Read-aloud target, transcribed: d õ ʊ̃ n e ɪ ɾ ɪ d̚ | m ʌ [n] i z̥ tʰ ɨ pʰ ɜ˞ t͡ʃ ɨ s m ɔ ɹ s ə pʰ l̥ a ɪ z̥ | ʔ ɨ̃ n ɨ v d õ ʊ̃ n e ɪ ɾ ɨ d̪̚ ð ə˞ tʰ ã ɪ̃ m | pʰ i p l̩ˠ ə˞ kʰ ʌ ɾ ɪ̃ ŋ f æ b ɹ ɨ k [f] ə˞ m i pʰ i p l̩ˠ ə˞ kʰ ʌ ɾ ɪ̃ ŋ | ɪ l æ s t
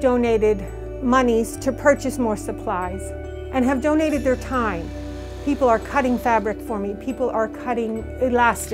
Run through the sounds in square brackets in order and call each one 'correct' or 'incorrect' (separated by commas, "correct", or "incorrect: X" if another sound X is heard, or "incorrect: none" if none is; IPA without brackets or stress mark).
correct, correct